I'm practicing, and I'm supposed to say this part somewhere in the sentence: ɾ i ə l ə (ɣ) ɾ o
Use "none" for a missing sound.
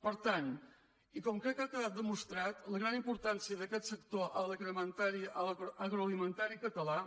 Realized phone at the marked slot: ɣ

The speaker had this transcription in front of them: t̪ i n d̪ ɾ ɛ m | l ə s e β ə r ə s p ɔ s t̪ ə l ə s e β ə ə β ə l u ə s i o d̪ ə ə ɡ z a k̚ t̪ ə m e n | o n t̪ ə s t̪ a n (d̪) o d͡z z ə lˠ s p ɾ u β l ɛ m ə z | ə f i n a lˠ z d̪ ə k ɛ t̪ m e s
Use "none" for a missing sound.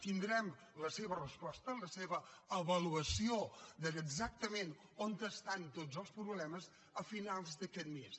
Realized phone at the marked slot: t̪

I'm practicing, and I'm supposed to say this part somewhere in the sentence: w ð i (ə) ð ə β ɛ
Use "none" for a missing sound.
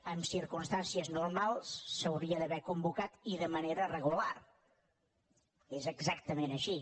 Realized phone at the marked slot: ə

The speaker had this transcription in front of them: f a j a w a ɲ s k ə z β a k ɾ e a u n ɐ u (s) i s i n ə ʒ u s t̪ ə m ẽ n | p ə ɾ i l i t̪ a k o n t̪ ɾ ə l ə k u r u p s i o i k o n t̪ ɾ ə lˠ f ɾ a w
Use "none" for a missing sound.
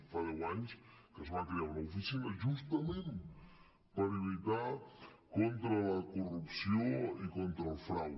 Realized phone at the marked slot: f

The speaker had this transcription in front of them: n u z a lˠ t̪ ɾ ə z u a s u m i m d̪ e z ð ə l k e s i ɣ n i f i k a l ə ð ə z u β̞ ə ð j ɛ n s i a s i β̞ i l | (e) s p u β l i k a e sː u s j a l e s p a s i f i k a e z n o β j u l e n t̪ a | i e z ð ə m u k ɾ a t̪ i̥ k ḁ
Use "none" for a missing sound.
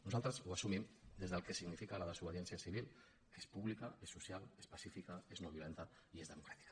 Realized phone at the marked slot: e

